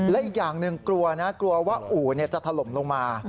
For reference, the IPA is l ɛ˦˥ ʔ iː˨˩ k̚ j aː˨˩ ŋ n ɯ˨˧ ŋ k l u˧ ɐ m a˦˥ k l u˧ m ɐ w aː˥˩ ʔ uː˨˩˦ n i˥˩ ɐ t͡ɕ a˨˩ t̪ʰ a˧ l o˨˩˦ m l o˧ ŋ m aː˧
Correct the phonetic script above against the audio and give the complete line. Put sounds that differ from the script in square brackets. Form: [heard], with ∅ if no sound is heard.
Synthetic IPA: l ɛ˦˥ ʔ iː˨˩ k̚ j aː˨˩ ŋ n ɯ˨˧ ŋ k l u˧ ɐ [n] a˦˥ k l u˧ [∅] ɐ w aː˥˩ ʔ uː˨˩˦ n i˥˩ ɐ t͡ɕ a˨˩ t̪ʰ a˧ l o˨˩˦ m l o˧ ŋ m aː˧